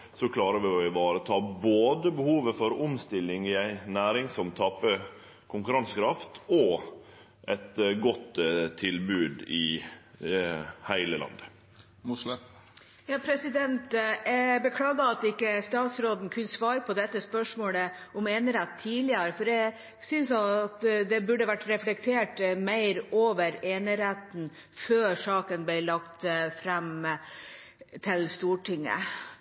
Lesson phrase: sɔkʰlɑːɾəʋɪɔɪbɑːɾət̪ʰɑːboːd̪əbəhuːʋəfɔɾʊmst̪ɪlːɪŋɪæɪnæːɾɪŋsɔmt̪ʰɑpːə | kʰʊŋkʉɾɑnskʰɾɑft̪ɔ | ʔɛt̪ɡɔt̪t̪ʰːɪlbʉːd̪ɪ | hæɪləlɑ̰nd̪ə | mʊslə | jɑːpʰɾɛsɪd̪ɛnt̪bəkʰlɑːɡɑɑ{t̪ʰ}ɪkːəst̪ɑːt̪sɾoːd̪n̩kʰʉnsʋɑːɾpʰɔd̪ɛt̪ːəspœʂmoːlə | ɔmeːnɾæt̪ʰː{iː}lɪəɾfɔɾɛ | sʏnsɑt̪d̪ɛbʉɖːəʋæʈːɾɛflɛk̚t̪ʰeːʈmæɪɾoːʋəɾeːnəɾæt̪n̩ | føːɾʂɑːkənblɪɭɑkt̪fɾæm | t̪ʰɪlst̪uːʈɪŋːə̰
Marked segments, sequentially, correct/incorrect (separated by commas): incorrect, correct